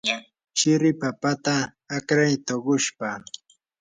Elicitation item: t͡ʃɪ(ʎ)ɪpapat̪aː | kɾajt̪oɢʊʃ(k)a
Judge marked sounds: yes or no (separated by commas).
no, no